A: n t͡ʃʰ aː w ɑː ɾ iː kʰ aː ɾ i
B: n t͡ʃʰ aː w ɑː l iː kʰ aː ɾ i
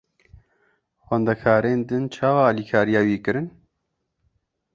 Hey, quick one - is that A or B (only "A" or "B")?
B